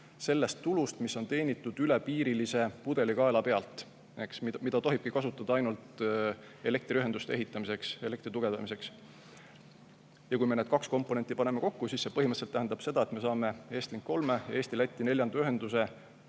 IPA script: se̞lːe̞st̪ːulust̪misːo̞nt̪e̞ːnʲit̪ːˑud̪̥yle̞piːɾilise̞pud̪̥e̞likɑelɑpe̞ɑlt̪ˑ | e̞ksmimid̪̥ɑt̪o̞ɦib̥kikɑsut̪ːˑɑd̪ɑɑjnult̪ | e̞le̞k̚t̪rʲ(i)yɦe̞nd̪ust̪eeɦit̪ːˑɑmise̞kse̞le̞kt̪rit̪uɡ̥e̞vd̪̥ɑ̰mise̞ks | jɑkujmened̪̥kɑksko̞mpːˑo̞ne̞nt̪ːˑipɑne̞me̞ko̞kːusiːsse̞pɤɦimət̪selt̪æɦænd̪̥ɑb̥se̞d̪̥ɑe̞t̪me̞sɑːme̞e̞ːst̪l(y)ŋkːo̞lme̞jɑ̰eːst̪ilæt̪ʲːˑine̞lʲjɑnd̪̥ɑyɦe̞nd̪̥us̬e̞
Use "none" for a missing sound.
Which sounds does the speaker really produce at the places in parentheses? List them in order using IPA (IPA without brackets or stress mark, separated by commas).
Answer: i, i